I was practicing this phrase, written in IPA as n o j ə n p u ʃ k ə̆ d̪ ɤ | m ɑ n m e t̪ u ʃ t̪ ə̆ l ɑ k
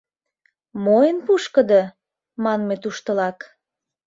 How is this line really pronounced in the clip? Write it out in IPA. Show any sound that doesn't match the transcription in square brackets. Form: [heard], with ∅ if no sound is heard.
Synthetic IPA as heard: [m] o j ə n p u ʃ k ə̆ d̪ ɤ | m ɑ n m e t̪ u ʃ t̪ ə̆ l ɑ k

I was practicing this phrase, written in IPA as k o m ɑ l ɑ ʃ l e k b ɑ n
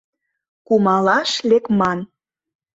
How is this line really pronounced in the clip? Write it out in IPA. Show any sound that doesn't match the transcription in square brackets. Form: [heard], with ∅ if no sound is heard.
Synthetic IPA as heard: k [u] m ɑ l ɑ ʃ l e k [m] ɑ n

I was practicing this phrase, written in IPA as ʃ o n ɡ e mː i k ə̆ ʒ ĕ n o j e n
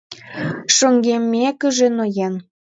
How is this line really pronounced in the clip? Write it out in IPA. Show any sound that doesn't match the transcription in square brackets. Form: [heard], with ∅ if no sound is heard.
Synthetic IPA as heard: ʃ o [ŋ] ɡ e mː [e] k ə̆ ʒ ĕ n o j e n

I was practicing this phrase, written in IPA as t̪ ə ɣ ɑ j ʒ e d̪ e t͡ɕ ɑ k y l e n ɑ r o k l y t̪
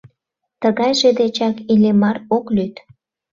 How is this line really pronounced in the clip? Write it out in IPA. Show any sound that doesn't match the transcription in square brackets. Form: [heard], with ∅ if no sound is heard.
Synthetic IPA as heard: t̪ ə ɣ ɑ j ʒ e d̪ e t͡ɕ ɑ k [i] l e [m] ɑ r o k l y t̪

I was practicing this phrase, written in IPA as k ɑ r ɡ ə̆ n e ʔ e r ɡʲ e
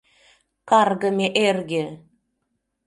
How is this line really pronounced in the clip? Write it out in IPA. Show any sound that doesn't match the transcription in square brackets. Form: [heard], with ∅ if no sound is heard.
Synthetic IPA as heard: k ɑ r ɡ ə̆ [m] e ʔ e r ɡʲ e

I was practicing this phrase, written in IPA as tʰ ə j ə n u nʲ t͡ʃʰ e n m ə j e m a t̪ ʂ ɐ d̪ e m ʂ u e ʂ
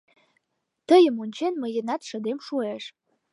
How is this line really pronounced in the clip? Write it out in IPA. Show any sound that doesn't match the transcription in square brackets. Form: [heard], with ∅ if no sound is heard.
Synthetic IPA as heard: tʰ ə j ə [m] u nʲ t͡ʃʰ e n m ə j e [n] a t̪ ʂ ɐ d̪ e m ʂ u e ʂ

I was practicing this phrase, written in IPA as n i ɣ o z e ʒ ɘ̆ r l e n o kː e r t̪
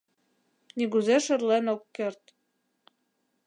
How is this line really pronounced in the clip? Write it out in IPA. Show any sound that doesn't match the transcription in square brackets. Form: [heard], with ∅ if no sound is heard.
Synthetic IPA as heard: n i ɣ [u] z e [ʃ] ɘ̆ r l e n o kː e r t̪

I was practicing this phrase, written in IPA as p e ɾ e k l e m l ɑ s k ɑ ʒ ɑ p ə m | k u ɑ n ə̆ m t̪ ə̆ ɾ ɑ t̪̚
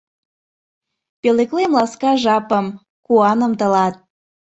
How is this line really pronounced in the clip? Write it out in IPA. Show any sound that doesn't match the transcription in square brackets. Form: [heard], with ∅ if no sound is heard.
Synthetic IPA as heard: p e [l] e k l e m l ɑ s k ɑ ʒ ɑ p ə m | k u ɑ n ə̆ m t̪ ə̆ [l] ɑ t̪̚

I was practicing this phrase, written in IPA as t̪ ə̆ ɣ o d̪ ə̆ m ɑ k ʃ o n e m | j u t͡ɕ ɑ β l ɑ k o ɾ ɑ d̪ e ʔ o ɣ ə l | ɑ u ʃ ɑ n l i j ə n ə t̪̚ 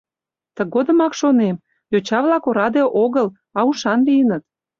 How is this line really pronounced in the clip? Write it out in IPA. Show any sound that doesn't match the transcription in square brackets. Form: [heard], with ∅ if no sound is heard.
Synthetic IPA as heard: t̪ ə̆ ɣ o d̪ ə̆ m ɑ k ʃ o n e m | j [o] t͡ɕ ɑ β l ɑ k o ɾ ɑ d̪ e ʔ o ɣ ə l | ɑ u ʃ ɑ n l i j ə n ə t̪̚

